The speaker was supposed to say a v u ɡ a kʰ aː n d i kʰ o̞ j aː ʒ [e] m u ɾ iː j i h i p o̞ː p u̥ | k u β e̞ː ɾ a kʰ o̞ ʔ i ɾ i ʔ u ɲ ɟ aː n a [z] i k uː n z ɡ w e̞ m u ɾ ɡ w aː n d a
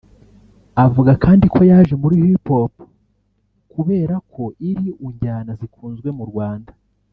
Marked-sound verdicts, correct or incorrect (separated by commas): correct, correct